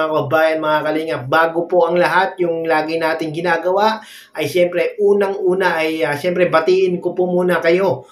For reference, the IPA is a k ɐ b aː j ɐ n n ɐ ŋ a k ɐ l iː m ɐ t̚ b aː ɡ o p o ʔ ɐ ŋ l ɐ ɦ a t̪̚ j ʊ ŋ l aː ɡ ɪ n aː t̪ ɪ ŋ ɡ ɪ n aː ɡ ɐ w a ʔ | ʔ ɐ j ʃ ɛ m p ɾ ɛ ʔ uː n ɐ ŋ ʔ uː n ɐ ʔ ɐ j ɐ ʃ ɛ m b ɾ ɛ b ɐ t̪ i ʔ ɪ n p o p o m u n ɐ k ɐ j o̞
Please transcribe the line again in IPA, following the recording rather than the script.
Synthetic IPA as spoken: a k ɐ b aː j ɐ n m ɐ ŋ a k ɐ l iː ŋ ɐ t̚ b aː ɡ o p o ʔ ɐ ŋ l ɐ ɦ a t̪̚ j ʊ ŋ l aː ɡ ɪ n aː t̪ ɪ ŋ ɡ ɪ n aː ɡ ɐ w a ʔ | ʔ ɐ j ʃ ɛ m p ɾ ɛ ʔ uː n ɐ ŋ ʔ uː n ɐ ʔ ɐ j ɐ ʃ ɛ m p ɾ ɛ b ɐ t̪ i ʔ ɪ n k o p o m uː n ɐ k ɐ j o̞